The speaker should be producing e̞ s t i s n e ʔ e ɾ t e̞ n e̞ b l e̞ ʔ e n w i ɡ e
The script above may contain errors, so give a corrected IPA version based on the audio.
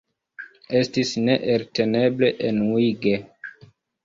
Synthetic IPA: e̞ s t i s n e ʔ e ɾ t e̞ n e̞ b l e̞ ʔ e n w i ɡ e